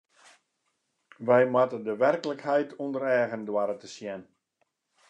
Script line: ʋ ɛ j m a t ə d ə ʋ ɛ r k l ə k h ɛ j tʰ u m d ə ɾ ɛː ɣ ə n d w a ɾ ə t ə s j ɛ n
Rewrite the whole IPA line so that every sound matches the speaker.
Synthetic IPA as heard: ʋ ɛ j m a t ə d ə ʋ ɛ r k l ə k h ɛ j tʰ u n d ə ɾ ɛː ɣ ə n d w a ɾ ə t ə s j ɛ n